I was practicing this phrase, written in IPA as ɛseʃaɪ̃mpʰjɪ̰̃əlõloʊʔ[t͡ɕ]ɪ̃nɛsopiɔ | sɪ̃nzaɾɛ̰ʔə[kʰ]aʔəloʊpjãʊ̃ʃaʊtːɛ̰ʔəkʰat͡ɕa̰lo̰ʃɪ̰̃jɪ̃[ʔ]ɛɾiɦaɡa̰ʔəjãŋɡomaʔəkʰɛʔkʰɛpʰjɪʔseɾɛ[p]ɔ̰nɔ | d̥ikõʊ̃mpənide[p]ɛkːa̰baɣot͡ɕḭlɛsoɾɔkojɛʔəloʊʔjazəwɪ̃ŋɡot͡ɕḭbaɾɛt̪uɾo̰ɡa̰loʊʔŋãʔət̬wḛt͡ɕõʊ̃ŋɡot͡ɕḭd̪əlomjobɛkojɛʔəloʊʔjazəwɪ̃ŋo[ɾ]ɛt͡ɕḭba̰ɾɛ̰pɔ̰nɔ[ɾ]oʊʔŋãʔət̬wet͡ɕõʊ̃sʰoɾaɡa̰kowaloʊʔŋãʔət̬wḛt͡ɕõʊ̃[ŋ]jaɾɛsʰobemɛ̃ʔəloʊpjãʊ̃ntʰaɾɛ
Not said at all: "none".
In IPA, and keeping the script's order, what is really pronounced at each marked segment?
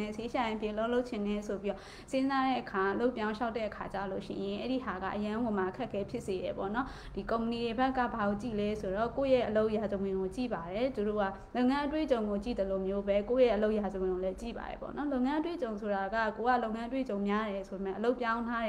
t͡ɕʰ, kʰ, ʔ, p, b, l, l, m

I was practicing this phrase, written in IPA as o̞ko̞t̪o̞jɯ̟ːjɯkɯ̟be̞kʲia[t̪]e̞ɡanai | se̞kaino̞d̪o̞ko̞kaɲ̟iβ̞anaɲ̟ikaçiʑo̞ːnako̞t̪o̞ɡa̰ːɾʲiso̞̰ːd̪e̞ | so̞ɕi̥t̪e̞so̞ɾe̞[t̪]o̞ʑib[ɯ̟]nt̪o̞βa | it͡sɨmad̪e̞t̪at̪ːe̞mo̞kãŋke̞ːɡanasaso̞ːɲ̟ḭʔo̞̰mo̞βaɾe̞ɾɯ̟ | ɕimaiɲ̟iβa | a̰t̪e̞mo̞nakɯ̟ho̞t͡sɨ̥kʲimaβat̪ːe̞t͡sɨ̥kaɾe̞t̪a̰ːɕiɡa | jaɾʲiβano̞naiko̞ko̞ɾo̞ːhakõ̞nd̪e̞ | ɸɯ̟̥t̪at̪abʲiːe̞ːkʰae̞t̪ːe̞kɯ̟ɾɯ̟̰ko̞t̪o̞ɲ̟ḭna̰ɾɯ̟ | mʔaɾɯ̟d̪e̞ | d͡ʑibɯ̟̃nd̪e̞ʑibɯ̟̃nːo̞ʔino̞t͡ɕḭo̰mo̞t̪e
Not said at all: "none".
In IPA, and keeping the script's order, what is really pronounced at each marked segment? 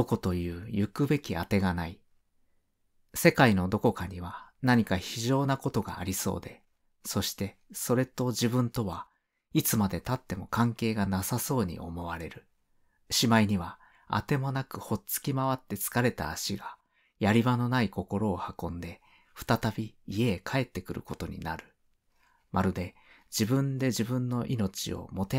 t̪, t̪, ɯ̟̃

